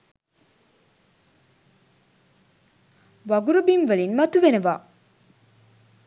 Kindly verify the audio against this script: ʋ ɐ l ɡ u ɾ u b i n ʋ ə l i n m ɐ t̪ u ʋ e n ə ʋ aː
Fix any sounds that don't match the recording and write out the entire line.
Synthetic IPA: ʋ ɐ ɡ u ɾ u b i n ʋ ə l i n m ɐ t̪ u ʋ e n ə ʋ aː